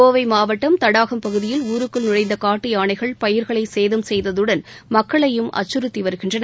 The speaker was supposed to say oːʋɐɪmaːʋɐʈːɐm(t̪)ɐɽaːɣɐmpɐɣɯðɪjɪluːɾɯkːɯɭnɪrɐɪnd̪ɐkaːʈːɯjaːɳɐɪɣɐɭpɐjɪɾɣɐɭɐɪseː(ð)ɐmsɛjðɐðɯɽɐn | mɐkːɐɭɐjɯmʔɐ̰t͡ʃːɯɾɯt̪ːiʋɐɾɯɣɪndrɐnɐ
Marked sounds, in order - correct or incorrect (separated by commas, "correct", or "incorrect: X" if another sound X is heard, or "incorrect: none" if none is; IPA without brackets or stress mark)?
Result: correct, correct